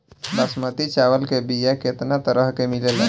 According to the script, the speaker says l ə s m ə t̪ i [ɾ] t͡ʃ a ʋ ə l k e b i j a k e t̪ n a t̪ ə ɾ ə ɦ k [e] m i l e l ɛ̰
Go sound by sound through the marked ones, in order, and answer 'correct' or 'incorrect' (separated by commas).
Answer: incorrect, correct